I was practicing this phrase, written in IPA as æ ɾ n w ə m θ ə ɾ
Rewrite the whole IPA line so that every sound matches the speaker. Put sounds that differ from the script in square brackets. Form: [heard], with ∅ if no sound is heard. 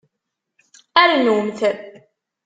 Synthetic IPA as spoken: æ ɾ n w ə m θ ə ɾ